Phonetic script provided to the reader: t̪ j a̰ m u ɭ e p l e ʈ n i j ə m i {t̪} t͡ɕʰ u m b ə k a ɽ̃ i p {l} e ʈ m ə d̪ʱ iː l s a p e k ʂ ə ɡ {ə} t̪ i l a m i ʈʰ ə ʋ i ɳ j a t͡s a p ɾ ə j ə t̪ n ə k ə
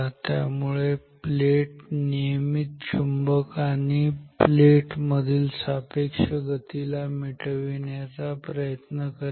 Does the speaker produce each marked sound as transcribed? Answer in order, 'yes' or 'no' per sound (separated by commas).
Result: yes, yes, yes